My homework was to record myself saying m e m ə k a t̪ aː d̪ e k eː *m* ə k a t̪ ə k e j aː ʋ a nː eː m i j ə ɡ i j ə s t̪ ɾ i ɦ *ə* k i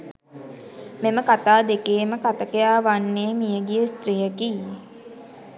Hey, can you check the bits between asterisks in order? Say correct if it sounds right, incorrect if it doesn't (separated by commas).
correct, correct